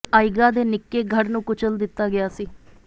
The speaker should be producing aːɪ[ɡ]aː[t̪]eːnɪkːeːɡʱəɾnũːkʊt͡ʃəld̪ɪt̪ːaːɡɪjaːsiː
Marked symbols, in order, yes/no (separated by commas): yes, no